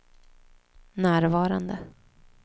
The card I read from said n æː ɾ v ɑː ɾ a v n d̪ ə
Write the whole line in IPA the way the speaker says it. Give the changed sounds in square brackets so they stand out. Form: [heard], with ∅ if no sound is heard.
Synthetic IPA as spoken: n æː ɾ v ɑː ɾ a [∅] n d̪ ə